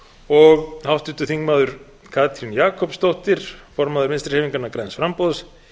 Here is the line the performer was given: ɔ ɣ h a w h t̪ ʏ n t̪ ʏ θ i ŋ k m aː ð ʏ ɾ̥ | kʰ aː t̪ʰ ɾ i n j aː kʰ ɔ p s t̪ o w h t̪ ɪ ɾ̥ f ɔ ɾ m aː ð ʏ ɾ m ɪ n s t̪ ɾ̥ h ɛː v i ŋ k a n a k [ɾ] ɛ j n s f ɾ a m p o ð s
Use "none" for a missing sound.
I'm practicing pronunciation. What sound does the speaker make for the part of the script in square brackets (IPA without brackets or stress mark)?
ɾ